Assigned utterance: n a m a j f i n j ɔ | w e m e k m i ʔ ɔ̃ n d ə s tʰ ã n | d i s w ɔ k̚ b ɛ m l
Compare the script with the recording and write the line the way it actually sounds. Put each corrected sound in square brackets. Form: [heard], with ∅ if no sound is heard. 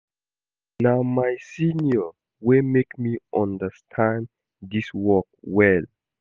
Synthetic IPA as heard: n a m a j [s] i n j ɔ | w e m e k m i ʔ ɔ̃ n d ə s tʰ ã n | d i s w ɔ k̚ [w] ɛ [∅] l